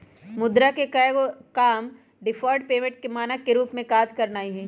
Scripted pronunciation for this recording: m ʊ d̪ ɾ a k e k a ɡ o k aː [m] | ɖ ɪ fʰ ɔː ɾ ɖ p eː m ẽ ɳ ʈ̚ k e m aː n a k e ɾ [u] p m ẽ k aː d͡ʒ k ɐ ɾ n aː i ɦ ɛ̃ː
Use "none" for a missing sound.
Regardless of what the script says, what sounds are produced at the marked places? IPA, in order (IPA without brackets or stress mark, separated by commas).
m, uː